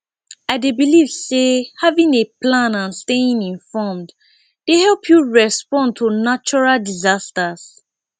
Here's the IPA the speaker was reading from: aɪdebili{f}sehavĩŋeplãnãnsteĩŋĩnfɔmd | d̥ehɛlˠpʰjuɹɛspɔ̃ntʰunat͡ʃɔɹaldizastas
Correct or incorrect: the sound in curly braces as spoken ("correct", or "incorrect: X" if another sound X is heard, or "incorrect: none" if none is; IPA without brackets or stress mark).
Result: incorrect: v